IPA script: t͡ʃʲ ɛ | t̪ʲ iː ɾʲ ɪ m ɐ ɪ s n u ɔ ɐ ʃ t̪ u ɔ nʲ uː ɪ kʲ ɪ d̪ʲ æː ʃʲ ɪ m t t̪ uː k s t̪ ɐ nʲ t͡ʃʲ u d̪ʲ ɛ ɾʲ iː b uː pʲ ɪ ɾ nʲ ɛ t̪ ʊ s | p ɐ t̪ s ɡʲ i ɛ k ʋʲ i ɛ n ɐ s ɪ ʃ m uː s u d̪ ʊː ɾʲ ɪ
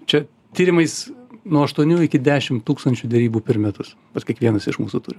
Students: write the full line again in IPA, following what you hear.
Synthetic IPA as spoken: t͡ʃʲ ɛ | t̪ʲ iː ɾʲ ɪ m ɐ ɪ s n u ɔ ɐ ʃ t̪ u ɔ nʲ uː ɪ kʲ ɪ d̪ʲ æː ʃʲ ɪ m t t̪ uː k s t̪ ɐ nʲ t͡ʃʲ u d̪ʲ ɛ ɾʲ iː b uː pʲ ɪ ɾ mʲ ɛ t̪ ʊ s | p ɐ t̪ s kʲ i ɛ k ʋʲ i ɛ n ɐ s ɪ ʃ m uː s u t̪ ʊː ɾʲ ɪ